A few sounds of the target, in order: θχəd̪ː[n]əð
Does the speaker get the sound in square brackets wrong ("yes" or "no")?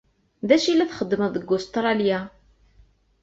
yes